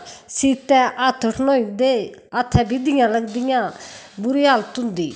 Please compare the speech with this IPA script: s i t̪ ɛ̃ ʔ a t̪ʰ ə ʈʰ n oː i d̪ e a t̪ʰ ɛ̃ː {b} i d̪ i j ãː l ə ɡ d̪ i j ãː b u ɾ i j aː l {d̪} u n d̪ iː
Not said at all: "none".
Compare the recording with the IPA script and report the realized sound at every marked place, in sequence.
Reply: b, t̪

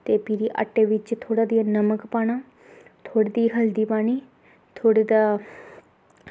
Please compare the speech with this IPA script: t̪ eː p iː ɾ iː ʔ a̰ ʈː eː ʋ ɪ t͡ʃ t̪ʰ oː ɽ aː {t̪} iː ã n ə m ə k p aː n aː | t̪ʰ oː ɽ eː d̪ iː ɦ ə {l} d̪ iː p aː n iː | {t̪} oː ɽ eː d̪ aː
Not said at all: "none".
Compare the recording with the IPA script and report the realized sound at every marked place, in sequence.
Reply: d̪, l, t̪ʰ

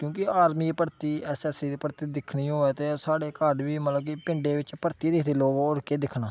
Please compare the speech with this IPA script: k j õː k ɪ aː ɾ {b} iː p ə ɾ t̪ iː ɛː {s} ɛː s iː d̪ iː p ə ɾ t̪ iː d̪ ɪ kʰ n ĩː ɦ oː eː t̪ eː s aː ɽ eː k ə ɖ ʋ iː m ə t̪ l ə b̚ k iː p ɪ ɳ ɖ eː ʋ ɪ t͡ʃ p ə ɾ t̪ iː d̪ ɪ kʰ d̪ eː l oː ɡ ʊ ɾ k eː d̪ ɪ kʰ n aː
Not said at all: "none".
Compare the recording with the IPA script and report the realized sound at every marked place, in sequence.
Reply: m, s

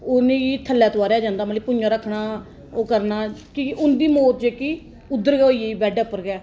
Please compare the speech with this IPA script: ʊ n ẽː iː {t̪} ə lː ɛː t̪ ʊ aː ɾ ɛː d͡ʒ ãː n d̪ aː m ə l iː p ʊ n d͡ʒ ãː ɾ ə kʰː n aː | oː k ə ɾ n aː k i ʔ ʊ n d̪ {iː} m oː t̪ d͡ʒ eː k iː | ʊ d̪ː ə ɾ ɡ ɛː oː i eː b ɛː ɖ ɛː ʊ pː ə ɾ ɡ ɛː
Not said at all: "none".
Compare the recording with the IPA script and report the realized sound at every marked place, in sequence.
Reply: t̪ʰ, iː

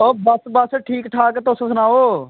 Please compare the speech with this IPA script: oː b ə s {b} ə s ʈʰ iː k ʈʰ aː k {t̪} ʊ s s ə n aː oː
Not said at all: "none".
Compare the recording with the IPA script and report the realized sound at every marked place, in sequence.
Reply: b, t̪

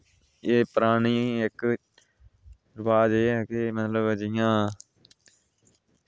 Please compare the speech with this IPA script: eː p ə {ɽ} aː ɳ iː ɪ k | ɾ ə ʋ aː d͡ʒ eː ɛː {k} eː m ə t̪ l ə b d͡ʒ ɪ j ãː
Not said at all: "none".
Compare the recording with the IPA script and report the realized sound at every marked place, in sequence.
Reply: ɾ, k

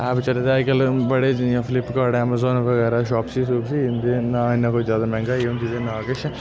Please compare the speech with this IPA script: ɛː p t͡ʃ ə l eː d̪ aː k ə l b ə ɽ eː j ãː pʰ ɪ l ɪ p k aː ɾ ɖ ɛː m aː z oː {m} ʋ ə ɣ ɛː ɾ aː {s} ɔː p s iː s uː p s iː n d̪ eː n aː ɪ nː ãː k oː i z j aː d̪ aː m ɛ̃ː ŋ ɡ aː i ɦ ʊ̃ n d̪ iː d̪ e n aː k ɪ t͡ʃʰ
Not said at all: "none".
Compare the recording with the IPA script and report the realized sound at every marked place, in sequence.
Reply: n, ʃ

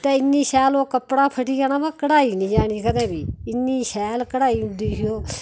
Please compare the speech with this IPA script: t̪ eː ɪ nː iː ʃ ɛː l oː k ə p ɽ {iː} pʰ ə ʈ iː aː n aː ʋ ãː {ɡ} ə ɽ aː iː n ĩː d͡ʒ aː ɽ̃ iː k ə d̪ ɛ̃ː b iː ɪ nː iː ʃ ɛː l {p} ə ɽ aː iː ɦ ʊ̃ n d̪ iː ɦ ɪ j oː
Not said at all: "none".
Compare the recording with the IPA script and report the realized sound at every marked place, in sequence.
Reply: aː, k, k

